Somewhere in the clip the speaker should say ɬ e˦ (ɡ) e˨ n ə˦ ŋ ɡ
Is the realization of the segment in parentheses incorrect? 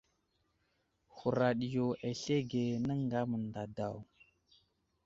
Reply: no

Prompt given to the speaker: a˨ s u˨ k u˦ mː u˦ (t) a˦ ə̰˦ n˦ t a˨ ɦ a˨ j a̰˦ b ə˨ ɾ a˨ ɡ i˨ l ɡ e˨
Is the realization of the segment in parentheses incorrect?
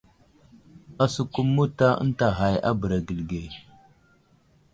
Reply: no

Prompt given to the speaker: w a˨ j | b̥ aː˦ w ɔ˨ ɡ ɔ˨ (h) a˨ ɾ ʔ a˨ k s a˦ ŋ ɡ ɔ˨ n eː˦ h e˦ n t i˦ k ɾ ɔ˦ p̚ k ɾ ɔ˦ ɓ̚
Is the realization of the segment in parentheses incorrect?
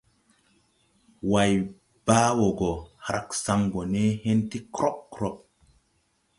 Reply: no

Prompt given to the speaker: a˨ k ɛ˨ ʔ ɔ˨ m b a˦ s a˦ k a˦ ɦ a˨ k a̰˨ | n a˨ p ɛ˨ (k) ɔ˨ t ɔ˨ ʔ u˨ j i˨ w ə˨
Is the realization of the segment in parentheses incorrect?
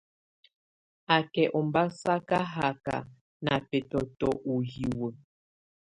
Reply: yes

